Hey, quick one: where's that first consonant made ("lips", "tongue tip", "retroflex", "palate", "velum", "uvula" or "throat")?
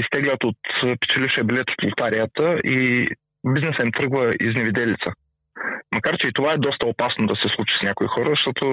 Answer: tongue tip